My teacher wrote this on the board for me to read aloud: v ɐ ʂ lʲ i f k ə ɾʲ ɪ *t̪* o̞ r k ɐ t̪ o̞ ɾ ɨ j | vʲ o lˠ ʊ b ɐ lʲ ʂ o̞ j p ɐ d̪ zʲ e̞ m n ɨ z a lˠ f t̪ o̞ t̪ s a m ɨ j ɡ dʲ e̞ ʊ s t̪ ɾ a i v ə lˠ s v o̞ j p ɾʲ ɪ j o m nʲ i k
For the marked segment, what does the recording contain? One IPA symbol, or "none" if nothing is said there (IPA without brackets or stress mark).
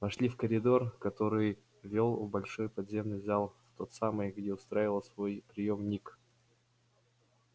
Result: d̪